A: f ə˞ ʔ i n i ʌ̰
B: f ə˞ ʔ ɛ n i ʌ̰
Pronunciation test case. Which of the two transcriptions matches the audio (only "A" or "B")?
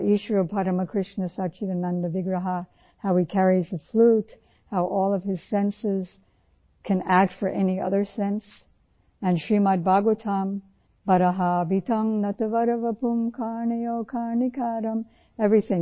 B